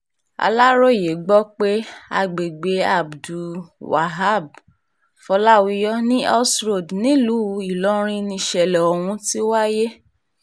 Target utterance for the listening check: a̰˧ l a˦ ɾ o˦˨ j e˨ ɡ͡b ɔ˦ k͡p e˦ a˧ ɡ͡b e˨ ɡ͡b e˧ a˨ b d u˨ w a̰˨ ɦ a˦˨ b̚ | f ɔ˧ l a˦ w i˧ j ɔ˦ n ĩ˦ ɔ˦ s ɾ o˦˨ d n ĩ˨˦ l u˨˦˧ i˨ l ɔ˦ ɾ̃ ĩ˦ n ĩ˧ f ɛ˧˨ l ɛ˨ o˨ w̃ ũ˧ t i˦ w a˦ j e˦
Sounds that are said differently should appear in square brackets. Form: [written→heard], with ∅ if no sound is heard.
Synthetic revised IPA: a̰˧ l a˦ ɾ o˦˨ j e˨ ɡ͡b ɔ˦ k͡p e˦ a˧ ɡ͡b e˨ ɡ͡b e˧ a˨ b d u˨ w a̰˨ ɦ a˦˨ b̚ | f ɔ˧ l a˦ w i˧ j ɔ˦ n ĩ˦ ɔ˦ s ɾ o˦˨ d n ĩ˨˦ l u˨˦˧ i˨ l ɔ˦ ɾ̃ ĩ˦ n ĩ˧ [f→ʃ] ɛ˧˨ l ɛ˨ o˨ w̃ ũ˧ t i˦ w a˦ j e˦